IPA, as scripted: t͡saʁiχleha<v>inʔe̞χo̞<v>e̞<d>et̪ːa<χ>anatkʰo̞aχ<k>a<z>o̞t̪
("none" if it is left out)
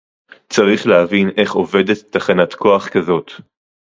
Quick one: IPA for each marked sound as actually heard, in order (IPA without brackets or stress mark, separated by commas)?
v, v, d, χ, k, z